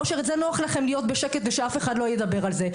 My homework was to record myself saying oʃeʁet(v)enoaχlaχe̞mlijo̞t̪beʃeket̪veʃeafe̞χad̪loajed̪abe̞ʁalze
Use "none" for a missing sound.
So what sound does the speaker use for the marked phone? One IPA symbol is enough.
z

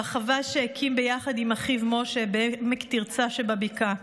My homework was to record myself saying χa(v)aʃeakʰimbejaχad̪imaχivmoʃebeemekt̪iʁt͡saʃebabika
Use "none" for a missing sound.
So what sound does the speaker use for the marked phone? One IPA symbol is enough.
v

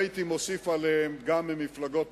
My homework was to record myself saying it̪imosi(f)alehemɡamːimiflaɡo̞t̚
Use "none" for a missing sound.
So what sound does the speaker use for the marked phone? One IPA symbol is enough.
f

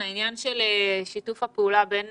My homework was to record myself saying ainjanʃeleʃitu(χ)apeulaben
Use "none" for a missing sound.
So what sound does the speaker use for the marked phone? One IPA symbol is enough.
f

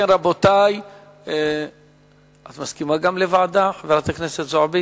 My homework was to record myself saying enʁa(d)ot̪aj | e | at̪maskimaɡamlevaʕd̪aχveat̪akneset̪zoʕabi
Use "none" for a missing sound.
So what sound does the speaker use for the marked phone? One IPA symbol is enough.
b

